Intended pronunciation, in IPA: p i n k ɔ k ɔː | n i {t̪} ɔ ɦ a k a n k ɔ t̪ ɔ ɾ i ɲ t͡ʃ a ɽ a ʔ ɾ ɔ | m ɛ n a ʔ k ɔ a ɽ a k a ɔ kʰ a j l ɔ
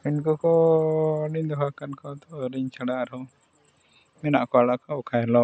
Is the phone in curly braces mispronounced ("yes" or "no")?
yes